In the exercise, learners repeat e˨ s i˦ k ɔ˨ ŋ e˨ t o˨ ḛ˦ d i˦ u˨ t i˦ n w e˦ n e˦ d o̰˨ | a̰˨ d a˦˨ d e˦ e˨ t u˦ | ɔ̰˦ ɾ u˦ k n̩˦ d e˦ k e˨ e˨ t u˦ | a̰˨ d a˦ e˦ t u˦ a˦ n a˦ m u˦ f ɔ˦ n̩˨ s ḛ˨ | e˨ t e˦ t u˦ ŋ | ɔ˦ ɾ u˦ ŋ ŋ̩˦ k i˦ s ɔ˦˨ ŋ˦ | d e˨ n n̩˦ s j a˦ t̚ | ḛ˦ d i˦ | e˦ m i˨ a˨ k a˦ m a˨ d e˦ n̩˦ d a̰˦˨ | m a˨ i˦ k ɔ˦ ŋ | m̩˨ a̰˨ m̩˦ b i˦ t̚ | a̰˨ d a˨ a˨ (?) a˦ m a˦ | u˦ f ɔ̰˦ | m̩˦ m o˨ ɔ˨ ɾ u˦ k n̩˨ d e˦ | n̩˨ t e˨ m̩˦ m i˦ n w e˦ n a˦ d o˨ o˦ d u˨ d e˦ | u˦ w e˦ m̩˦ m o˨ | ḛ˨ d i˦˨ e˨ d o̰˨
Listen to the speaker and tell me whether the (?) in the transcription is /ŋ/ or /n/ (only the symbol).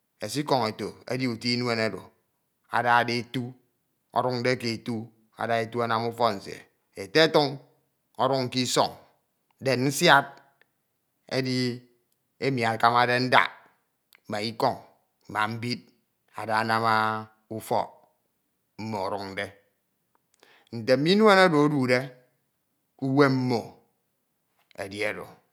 n